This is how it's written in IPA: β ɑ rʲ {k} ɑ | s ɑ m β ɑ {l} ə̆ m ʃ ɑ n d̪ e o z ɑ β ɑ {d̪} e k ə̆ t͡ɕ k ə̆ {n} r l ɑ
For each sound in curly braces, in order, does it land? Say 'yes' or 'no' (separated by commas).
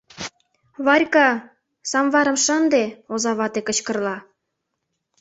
yes, no, no, no